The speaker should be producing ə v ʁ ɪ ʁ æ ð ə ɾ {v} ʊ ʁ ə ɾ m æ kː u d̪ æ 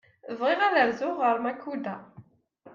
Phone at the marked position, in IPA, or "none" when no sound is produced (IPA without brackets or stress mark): z